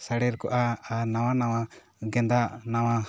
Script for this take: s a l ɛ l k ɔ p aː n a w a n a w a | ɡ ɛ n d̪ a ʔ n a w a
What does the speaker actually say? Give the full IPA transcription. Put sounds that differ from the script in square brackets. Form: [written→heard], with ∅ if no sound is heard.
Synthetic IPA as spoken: s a [l→ɽ] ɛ [l→ɾ] k ɔ [p→ʔ] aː n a w a n a w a | ɡ ɛ n d̪ a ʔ n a w a